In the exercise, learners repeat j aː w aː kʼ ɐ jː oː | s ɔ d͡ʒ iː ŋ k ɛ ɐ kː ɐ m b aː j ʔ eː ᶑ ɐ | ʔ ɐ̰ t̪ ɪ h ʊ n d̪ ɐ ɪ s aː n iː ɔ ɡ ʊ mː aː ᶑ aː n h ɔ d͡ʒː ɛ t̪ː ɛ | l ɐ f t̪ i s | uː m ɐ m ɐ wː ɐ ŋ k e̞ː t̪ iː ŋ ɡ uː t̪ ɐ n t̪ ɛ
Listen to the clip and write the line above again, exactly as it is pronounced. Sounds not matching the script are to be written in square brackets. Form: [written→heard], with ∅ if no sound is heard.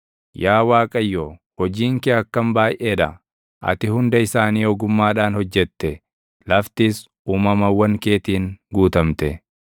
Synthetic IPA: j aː w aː kʼ ɐ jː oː | [s→h] ɔ d͡ʒ iː ŋ k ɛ ɐ kː ɐ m b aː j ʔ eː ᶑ ɐ | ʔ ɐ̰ t̪ ɪ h ʊ n d̪ ɐ ɪ s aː n iː ɔ ɡ ʊ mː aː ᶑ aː n h ɔ d͡ʒː ɛ t̪ː ɛ | l ɐ f t̪ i s | uː m ɐ m ɐ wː ɐ ŋ k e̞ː t̪ iː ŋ ɡ uː t̪ ɐ [n→m] t̪ ɛ